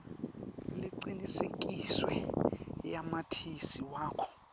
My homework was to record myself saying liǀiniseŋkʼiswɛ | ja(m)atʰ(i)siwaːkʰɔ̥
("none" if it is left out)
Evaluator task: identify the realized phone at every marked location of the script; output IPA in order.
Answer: m, i

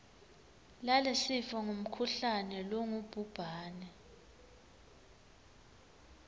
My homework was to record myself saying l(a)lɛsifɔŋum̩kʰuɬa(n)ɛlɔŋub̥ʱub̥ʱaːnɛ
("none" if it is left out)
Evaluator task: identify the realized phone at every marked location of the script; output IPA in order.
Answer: a, n

